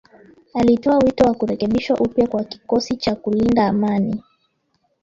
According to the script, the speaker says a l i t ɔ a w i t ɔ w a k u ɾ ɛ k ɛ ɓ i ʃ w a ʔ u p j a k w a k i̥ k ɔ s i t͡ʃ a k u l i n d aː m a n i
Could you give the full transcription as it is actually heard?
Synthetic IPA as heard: a l i t ɔ a w i t ɔ w a k u ɾ ɛ k ɛ ɓ i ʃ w a ʔ u p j a k w a k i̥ k ɔ s i t͡ʃ a k u l i n d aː m a n i